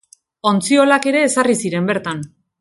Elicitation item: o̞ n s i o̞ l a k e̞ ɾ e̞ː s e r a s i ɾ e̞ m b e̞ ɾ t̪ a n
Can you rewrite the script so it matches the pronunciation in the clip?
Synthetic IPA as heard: o̞ n t͡s i o̞ l a k e̞ ɾ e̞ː s a r i s i ɾ e̞ m b e̞ ɾ t̪ a n